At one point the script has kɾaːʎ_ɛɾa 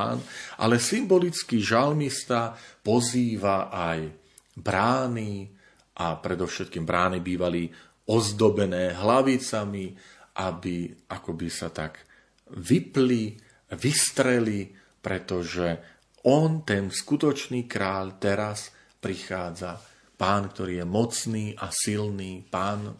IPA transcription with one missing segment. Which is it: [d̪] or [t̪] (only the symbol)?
t̪